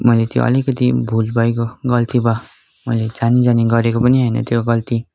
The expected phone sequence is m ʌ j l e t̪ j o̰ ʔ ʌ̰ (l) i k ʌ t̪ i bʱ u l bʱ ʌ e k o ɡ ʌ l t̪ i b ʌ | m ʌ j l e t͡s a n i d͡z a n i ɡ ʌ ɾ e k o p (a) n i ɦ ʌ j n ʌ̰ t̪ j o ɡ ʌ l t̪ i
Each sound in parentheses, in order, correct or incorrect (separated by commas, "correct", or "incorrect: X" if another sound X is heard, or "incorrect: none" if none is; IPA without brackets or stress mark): correct, incorrect: ʌ